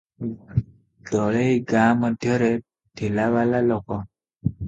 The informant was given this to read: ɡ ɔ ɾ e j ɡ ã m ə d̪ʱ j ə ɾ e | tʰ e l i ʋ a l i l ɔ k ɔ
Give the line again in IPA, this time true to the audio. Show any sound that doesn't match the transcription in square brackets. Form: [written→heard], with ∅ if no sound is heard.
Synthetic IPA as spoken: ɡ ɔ [ɾ→ɭ] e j ɡ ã m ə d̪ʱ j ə ɾ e | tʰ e l [i→a] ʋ a l [i→a] l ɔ k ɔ